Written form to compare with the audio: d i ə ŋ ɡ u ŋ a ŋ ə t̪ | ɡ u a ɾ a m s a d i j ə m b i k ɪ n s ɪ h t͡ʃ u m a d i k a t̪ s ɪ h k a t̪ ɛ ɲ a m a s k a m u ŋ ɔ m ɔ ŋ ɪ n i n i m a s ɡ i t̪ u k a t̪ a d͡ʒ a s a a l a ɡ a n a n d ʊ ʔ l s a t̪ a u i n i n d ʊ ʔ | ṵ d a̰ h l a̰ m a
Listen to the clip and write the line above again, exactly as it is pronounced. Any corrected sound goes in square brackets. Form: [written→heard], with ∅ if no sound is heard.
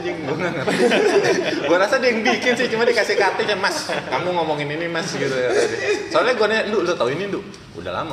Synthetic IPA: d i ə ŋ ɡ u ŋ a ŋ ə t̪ | ɡ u a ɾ a [m→∅] s a d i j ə [m→ŋ] b i k ɪ n s ɪ h t͡ʃ u m a d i k a [t̪→∅] s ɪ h k a t̪ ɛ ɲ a m a s k a m u ŋ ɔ m ɔ ŋ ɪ n i n i m a s ɡ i t̪ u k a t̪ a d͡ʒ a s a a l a ɡ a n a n d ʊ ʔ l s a t̪ a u i n i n d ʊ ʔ | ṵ d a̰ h l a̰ m a